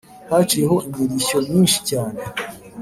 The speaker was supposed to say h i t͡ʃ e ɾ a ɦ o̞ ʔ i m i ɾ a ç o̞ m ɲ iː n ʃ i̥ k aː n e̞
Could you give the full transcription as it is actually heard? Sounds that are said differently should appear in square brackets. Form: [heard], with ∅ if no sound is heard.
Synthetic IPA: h [a] t͡ʃ [i] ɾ [e] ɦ o̞ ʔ i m i ɾ [i] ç o̞ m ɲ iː n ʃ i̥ [c] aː n e̞

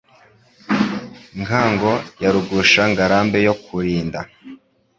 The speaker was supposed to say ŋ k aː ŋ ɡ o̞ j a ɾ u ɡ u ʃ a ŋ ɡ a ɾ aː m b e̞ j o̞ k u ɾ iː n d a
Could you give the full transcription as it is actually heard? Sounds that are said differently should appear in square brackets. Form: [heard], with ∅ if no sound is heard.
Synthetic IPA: ŋ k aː ŋ ɡ o̞ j a ɾ u ɡ u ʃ a ŋ ɡ a ɾ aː m b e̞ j o̞ k u ɾ iː n d a

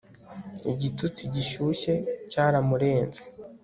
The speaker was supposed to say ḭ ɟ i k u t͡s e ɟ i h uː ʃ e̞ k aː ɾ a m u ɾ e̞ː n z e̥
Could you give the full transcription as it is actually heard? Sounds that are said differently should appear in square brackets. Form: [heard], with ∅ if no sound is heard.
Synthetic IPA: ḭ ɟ i [t] u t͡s [i] ɟ i [ʃ] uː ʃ e̞ [c] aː ɾ a m u ɾ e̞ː n z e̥

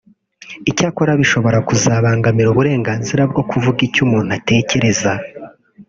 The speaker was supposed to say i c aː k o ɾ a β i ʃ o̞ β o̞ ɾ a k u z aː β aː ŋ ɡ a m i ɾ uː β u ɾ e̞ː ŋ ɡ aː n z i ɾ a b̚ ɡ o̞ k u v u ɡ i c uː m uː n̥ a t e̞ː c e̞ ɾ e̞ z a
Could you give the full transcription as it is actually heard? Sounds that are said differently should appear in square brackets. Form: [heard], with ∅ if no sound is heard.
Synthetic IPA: i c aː k o ɾ a β i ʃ o̞ β o̞ ɾ a k u z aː β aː ŋ ɡ a m i ɾ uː β u ɾ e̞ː ŋ ɡ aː n z i ɾ a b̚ ɡ o̞ k u v u ɡ i c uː m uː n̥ a t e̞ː c e̞ ɾ e̞ z a

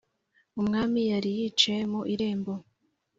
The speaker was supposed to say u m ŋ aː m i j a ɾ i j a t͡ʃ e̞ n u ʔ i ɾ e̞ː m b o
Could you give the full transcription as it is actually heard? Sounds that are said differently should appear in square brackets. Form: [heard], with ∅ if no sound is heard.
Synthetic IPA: u m ŋ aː m i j a ɾ i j [i] t͡ʃ e̞ [m] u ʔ i ɾ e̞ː m b o

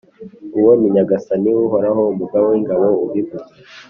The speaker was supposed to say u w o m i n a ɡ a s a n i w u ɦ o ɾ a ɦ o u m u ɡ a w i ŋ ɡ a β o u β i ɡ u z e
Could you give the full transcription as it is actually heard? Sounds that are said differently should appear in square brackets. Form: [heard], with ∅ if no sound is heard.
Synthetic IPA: u w o m i [ɲ] a ɡ a s a n i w u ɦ o ɾ a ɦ o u m u ɡ a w i ŋ ɡ a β o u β i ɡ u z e

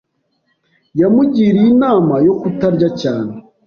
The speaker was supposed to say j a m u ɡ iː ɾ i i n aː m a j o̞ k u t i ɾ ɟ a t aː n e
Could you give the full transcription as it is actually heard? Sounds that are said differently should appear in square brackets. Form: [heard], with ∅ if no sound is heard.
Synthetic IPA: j a m u [ɟ] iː ɾ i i n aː m a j o̞ k u t [a] ɾ ɟ a [c] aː n e

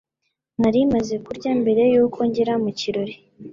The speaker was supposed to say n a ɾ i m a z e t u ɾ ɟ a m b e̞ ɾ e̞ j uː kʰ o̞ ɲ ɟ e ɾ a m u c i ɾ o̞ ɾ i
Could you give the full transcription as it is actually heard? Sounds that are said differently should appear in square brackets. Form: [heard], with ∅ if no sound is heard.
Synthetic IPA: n a ɾ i m a z e [k] u ɾ ɟ a m b e̞ ɾ e̞ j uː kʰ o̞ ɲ ɟ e ɾ a m u c i ɾ o̞ ɾ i

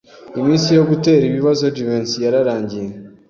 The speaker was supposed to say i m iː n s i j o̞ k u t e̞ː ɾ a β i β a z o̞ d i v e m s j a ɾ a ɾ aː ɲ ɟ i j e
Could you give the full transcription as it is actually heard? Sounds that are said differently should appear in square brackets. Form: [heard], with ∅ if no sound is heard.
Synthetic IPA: i m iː n s i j o̞ [ɡ] u t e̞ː ɾ [i] β i β a z o̞ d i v e [n] s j a ɾ a ɾ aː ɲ ɟ i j e

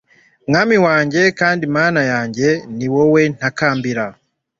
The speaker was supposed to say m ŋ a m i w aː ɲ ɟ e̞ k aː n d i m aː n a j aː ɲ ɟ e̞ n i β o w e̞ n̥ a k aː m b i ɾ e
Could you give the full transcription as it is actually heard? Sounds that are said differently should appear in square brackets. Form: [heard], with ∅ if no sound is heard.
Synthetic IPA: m ŋ a m i w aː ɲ ɟ e̞ k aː n d i m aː n a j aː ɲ ɟ e̞ n i [w] o w e̞ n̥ a k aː m b i ɾ [a]

